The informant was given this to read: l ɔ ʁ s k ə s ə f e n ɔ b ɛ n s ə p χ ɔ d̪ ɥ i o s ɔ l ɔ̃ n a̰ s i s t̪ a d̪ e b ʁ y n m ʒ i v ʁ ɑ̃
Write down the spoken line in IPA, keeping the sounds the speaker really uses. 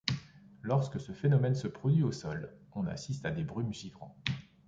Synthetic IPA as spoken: l ɔ ʁ s k ə s ə f e n ɔ m ɛ n s ə p χ ɔ d̪ ɥ i o s ɔ l ɔ̃ n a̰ s i s t̪ a d̪ e b ʁ y m ʒ i v ʁ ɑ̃